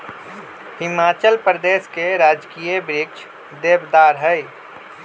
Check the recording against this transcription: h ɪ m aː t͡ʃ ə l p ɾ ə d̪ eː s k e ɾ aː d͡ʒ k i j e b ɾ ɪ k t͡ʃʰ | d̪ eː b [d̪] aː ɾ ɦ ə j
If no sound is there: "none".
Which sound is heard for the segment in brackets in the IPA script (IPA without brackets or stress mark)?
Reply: d̪